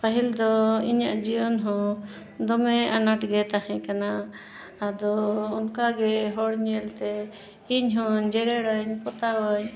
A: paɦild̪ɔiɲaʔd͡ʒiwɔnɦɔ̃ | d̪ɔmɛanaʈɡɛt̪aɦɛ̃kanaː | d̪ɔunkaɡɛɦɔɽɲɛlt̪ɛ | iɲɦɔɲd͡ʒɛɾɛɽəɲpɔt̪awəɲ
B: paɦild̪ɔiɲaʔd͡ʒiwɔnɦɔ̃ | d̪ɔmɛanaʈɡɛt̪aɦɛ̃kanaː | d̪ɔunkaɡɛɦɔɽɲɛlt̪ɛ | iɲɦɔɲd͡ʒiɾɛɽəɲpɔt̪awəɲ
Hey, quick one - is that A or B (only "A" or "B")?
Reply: A